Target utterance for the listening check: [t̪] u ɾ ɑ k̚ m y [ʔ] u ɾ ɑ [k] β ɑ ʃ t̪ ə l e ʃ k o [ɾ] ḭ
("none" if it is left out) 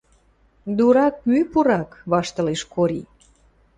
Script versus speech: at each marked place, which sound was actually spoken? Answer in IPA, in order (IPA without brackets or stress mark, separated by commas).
d̪, p, k, ɾ